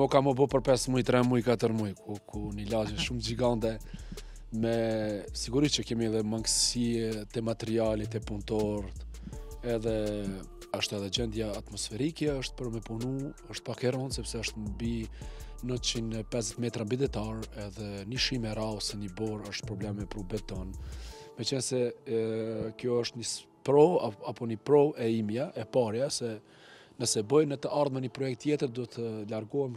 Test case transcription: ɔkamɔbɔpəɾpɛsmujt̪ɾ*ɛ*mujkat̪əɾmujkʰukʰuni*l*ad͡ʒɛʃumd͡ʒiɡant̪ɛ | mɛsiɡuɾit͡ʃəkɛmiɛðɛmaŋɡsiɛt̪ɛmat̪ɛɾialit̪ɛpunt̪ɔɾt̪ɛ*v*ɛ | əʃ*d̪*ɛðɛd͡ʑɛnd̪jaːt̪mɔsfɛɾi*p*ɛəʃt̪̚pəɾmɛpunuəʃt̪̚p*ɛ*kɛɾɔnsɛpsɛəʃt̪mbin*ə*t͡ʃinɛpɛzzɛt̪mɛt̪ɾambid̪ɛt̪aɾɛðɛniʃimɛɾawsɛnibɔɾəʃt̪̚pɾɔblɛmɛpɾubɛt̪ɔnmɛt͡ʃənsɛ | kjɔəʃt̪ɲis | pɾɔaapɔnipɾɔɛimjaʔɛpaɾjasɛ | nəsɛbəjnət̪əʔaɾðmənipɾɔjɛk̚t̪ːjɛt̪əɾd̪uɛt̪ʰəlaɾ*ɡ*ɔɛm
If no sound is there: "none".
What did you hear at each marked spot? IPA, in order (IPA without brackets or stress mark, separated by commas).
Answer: ɛ, l, ð, t̪, k, a, ə, ɡ